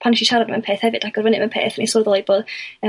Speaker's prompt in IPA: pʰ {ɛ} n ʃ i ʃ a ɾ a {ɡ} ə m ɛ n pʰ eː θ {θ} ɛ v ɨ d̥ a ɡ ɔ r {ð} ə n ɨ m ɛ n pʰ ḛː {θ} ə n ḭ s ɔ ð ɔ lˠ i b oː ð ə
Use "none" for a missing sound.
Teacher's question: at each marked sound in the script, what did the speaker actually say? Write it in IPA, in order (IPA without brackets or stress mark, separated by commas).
a, d, h, v, θ